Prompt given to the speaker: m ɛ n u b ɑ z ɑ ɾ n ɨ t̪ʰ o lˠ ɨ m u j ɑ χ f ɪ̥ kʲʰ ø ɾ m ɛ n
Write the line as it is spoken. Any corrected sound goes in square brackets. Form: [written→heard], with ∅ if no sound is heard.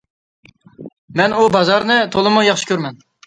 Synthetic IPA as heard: m ɛ n u b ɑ z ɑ ɾ n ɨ t̪ʰ o lˠ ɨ m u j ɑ χ [f→ʃ] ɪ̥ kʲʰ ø ɾ m ɛ n

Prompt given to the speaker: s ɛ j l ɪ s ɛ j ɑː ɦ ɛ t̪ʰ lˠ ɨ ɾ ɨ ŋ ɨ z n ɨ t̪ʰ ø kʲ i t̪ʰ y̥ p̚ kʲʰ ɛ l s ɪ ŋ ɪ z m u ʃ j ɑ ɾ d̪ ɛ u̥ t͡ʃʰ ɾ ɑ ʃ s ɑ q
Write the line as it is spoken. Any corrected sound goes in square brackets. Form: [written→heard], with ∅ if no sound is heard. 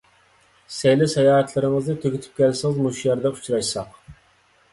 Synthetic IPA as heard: s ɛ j l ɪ s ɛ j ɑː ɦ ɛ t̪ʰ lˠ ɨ ɾ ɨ ŋ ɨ z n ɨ t̪ʰ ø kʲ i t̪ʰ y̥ p̚ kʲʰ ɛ l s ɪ ŋ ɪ z m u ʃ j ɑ ɾ d̪ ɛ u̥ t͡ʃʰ ɾ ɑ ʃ s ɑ q

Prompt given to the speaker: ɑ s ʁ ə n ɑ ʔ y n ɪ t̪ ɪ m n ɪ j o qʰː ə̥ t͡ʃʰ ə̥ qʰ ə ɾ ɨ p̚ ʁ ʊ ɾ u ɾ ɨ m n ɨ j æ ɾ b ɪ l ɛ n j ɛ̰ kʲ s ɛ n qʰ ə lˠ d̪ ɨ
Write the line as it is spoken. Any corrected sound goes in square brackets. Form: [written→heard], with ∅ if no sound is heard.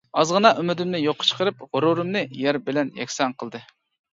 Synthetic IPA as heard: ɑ [s→z] ʁ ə n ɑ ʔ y [n→m] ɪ [t̪→d̪] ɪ m n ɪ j o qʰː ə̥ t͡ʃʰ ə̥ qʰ ə ɾ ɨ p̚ ʁ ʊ ɾ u ɾ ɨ m n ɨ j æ ɾ b ɪ l ɛ n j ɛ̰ kʲ s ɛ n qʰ ə lˠ d̪ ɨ

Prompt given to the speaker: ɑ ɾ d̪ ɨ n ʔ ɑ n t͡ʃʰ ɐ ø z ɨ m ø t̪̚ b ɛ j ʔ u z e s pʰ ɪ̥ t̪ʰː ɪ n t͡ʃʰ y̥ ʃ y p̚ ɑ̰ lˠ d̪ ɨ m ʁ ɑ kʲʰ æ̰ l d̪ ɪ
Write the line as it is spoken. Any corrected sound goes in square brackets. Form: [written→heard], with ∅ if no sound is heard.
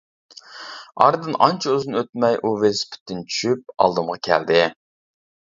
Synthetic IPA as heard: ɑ ɾ d̪ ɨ n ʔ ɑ n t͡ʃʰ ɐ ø z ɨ [m→n] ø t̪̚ [b→m] ɛ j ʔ u [z→v] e s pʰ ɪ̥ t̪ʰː ɪ n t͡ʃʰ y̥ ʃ y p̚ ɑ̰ lˠ d̪ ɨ m ʁ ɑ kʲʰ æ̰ l d̪ ɪ

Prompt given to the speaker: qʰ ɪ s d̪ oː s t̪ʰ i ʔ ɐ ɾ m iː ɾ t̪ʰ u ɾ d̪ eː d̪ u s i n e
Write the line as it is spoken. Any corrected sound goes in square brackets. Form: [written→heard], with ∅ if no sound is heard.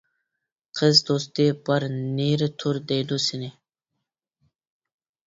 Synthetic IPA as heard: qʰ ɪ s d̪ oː s [t̪ʰ→t̪] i [ʔ→p] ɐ ɾ [m→n] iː ɾ t̪ʰ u ɾ d̪ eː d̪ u s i n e

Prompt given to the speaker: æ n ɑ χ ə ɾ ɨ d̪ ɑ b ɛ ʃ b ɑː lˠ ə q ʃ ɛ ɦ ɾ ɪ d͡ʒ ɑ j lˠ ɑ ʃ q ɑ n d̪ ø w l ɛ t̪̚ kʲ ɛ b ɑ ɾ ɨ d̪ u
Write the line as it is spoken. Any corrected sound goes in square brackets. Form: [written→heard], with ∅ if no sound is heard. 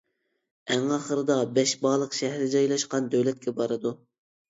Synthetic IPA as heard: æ [n→ŋ] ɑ χ ə ɾ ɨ d̪ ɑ b ɛ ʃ b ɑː lˠ ə q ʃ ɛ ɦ ɾ ɪ d͡ʒ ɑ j lˠ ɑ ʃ q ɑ n d̪ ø w l ɛ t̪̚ kʲ ɛ b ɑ ɾ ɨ d̪ u

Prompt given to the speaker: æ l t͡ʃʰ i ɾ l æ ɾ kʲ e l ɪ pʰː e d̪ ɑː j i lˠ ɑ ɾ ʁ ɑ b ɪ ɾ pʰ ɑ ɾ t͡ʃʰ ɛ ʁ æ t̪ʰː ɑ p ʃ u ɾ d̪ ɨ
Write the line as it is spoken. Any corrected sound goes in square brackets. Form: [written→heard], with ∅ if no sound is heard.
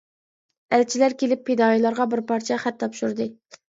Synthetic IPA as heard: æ l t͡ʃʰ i [ɾ→∅] l æ ɾ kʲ e l ɪ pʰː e d̪ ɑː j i lˠ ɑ ɾ ʁ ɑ b ɪ ɾ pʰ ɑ ɾ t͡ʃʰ ɛ [ʁ→χ] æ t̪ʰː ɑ p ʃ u ɾ d̪ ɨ

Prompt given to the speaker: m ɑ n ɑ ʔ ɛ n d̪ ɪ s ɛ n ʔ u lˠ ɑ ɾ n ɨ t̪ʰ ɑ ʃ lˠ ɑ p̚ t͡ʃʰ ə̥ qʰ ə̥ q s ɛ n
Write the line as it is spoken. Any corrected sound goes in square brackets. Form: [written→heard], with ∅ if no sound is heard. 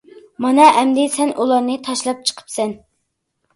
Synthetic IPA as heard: m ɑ n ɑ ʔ ɛ [n→m] d̪ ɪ s ɛ n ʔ u lˠ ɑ ɾ n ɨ t̪ʰ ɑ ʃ lˠ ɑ p̚ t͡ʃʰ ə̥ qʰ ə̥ [q→p] s ɛ n

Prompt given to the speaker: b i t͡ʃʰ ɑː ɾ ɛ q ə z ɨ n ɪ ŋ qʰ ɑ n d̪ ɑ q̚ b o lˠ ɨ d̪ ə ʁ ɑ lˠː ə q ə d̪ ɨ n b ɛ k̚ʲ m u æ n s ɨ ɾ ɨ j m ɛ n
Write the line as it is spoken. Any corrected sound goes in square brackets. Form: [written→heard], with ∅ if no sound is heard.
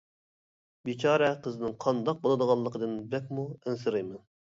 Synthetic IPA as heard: b i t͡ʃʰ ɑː ɾ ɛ q ə z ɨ n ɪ ŋ qʰ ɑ n d̪ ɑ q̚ b o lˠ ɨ d̪ ə ʁ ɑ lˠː ə q ə d̪ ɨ n b ɛ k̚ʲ m u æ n s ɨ ɾ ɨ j m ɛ n

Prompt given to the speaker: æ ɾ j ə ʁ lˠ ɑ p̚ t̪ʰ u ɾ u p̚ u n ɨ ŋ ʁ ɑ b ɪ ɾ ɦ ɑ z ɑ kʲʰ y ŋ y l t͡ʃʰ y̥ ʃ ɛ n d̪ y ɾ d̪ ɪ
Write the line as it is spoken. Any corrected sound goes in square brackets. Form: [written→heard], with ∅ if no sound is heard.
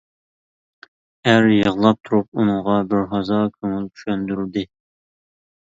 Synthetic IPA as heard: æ ɾ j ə ʁ lˠ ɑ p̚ t̪ʰ u ɾ u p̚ u n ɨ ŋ ʁ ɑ b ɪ ɾ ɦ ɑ z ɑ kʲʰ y ŋ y l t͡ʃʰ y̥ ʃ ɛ n d̪ y ɾ d̪ ɪ

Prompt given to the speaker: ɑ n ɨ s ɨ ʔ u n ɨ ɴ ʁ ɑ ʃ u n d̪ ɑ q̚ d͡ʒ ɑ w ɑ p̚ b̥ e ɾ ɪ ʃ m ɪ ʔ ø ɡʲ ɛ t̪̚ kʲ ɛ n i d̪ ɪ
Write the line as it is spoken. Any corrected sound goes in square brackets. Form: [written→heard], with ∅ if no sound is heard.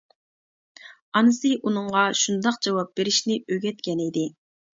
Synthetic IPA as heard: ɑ n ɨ s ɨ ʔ u n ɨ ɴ ʁ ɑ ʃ u n d̪ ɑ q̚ d͡ʒ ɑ w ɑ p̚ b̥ e ɾ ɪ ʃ [m→n] ɪ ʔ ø ɡʲ ɛ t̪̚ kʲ ɛ n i d̪ ɪ

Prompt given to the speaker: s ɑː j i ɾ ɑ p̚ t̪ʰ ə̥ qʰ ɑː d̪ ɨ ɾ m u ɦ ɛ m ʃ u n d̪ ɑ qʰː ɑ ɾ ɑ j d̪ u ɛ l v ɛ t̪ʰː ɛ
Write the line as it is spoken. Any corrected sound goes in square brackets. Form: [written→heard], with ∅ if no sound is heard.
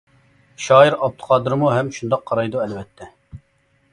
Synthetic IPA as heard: [s→ʃ] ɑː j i ɾ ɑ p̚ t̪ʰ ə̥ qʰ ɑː d̪ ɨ ɾ m u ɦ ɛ m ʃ u n d̪ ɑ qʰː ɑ ɾ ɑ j d̪ u ɛ l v ɛ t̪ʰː ɛ

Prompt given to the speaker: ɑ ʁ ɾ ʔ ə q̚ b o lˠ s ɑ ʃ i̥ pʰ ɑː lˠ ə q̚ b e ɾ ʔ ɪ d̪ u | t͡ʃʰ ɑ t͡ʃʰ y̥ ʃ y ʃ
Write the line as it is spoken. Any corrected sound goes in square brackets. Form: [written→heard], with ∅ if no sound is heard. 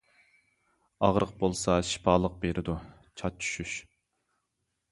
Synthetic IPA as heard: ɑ ʁ ɾ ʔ ə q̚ b o lˠ s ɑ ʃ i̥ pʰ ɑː lˠ ə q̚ b e ɾ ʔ ɪ d̪ u | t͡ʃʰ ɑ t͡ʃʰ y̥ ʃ y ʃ

